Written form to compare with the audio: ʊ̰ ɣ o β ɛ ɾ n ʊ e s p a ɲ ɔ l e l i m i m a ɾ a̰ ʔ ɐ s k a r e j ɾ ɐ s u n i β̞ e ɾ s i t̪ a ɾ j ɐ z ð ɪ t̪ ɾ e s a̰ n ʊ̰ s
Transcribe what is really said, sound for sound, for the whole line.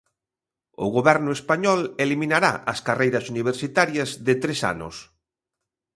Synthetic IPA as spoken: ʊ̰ ɣ o β ɛ ɾ n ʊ e s p a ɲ ɔ l e l i m i n a ɾ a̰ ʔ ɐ s k a r e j ɾ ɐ s u n i β̞ e ɾ s i t̪ a ɾ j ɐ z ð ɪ t̪ ɾ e s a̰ n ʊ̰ s